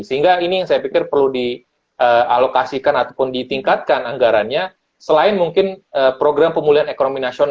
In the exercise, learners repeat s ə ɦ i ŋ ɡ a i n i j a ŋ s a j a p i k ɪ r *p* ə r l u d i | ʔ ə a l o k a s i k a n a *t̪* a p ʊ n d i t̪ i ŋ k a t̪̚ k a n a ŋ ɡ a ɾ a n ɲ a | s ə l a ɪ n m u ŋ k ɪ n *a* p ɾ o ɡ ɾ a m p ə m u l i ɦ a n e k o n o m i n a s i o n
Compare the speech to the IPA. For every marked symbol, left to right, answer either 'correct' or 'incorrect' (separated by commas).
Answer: correct, correct, incorrect